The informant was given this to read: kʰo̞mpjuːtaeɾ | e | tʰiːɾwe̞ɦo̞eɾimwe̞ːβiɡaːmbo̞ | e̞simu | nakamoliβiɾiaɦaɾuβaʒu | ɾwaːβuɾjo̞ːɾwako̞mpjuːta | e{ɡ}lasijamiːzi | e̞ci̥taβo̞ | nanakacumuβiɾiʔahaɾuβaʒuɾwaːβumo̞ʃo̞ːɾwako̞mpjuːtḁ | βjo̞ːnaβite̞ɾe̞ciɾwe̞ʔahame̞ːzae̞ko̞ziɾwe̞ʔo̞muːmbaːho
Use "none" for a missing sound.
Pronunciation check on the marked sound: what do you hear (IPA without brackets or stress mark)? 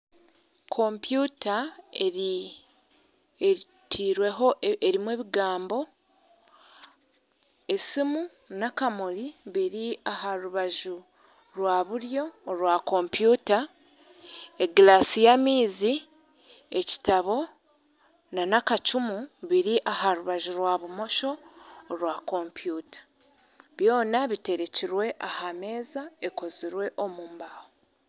ɡ